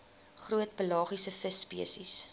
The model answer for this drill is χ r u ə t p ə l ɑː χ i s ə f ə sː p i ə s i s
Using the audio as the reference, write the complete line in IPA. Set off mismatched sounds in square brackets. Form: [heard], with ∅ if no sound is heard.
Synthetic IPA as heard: χ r u ə t p ə l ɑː χ i s ə f ə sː p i ə s i s